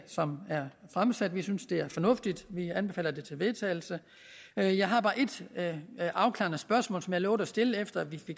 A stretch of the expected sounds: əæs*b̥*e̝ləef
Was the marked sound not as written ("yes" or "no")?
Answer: yes